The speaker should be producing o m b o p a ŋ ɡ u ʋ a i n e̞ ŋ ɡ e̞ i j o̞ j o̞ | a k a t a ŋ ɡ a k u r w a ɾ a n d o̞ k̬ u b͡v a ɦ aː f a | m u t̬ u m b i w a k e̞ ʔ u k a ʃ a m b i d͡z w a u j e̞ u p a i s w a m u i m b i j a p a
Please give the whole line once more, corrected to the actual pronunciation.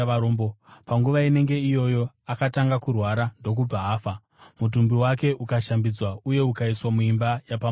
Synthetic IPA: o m b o p a ŋ ɡ u ʋ a i n e̞ ŋ ɡ e̞ i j o̞ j o̞ | a k a t a ŋ ɡ a k u r w a ɾ a n d o̞ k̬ u b͡v a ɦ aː f a | m u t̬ u m b i w a k e̞ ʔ u k a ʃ a m b i d͡z w a u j e̞ u k a i s w a m u i m b a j a p a

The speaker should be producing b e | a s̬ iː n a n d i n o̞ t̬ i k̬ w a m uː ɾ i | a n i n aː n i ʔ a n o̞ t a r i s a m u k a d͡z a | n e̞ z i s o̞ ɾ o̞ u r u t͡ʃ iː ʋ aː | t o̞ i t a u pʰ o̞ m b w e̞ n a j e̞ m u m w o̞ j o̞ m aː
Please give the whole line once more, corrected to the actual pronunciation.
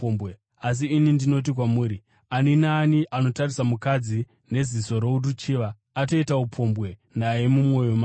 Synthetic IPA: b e | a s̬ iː n i n d i n o̞ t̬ i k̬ w a m uː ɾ i | a n i n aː n i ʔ a n o̞ t a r i s a m u k a d͡z i | n e̞ z i s o̞ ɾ o̞ u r u t͡ʃ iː ʋ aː | t o̞ i t a u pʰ o̞ m b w e̞ n a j e̞ m u m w o̞ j o̞ m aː

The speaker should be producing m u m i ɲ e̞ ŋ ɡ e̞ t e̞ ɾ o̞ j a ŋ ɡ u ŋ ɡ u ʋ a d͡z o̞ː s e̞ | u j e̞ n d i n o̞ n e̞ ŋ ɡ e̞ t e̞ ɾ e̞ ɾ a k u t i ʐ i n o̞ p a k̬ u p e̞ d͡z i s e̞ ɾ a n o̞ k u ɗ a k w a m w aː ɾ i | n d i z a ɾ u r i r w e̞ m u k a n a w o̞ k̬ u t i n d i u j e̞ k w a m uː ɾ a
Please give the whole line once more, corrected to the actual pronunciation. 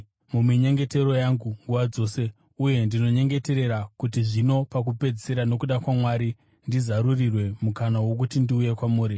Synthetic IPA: m u m i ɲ e̞ ŋ ɡ e̞ t e̞ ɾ o̞ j a ŋ ɡ u ŋ ɡ u ʋ a d͡z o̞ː s e̞ | u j e̞ n d i n o̞ ɲ e̞ ŋ ɡ e̞ t e̞ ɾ e̞ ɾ a k u t i ʐ i n o̞ p a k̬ u p e̞ d͡z i s e̞ ɾ a n o̞ k u ɗ a k w a m w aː ɾ i | n d i z a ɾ u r i r w e̞ m u k a n a w o̞ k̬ u t i n d i u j e̞ k w a m uː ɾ i

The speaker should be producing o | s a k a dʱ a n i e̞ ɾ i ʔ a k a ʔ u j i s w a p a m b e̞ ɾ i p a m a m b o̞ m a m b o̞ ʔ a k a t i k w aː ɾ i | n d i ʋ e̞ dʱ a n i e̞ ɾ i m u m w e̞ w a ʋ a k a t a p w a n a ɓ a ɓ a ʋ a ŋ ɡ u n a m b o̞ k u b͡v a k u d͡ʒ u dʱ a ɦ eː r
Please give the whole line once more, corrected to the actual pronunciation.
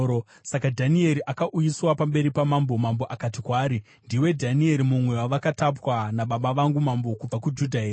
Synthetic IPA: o | s a k a dʱ a n i e̞ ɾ i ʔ a k a ʔ u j i s w a p a m b e̞ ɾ i p a m a m b o̞ m a m b o̞ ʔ a k a t i k w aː ɾ i | n d i w e̞ dʱ a n i e̞ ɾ i m u m w e̞ w a ʋ a k a t a p w a n a ɓ a ɓ a ʋ a ŋ ɡ u m a m b o̞ k u b͡v a k u d͡ʒ u dʱ a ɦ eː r

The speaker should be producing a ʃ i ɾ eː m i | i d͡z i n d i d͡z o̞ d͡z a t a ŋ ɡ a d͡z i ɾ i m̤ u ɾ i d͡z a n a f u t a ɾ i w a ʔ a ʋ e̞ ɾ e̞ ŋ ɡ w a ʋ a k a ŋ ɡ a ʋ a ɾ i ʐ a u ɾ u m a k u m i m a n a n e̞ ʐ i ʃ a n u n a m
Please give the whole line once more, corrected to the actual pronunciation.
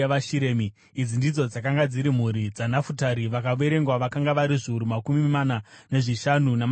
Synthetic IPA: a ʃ i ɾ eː m i | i d͡z i n d i d͡z o̞ d͡z a k a ŋ ɡ a d͡z i ɾ i m̤ u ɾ i d͡z a n a f u t a ɾ i ʋ a k a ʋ e̞ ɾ e̞ ŋ ɡ w a ʋ a k a ŋ ɡ a ʋ a ɾ i ʐ i u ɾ u m a k u m i m a n a n e̞ ʐ i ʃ a n u n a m

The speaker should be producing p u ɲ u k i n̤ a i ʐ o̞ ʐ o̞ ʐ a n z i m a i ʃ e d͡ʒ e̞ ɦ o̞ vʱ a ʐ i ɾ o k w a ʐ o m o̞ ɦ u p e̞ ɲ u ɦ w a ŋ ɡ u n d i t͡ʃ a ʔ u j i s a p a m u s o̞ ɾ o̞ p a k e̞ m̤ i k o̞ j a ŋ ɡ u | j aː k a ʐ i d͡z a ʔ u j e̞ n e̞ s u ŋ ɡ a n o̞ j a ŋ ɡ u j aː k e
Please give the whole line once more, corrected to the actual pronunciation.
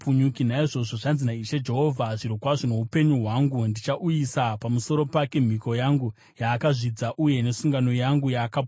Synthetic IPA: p u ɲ u k i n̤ a i ʐ o̞ ʐ o̞ ʐ a n z i n a i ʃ e d͡ʒ e̞ ɦ o̞ vʱ a ʐ i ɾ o k w a ʐ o n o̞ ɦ u p e̞ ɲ u ɦ w a ŋ ɡ u n d i t͡ʃ a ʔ u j i s a p a m u s o̞ ɾ o̞ p a k e̞ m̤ i k o̞ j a ŋ ɡ u | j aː k a ʐ i d͡z a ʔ u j e̞ n e̞ s u ŋ ɡ a n o̞ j a ŋ ɡ u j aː k a

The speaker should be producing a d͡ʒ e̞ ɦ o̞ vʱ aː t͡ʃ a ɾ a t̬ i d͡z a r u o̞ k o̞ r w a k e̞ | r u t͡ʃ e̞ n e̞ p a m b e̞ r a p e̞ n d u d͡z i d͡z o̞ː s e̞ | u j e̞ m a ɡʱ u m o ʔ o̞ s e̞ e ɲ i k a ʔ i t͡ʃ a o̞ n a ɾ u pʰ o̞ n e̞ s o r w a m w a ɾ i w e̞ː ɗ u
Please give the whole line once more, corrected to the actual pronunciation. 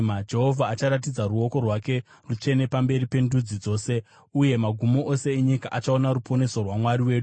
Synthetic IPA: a d͡ʒ e̞ ɦ o̞ vʱ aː t͡ʃ a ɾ a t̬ i d͡z a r u o̞ k o̞ r w a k e̞ | r u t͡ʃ e̞ n e̞ p a m b e̞ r i p e̞ n d u d͡z i d͡z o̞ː s e̞ | u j e̞ m a ɡʱ u m o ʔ o̞ s e̞ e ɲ i k a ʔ a t͡ʃ a o̞ n a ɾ u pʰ o̞ n e̞ s o r w a m w a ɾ i w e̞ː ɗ u

